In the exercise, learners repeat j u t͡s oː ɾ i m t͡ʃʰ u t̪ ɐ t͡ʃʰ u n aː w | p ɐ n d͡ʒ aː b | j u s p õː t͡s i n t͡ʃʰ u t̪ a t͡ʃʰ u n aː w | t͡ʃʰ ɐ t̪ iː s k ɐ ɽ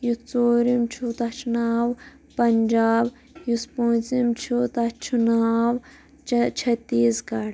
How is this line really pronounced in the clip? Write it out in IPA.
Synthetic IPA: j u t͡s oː ɾ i m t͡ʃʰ u t̪ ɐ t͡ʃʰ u n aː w | p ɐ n d͡ʒ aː b | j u s p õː t͡s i m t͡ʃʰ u t̪ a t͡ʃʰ u n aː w | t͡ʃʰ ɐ t̪ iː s k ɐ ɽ